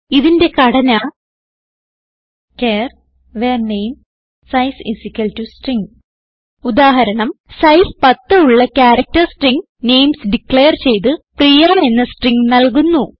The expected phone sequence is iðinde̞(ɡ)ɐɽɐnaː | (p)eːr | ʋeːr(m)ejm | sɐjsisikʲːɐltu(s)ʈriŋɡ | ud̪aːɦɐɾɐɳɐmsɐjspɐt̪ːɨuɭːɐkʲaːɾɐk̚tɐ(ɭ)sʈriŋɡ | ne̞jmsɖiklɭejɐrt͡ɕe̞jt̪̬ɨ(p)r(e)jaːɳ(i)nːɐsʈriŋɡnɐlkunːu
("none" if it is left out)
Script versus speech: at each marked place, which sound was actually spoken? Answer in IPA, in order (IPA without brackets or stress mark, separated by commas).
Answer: k, k, n, s, r, p, i, e